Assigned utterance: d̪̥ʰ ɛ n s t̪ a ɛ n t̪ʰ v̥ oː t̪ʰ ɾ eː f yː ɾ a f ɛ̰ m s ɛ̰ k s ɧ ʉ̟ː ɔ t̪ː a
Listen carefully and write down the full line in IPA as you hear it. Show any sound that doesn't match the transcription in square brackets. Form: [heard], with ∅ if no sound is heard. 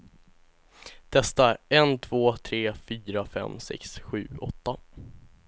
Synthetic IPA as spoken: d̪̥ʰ ɛ [∅] s t̪ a ɛ n t̪ʰ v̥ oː t̪ʰ ɾ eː f yː ɾ a f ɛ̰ m s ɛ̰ k s ɧ ʉ̟ː ɔ t̪ː a